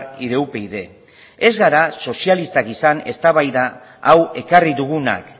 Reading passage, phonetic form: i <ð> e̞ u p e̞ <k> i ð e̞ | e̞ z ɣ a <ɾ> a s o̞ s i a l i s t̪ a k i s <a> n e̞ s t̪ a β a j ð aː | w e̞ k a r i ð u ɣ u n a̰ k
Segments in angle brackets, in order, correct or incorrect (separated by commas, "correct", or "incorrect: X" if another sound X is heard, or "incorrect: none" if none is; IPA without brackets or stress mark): correct, incorrect: none, correct, correct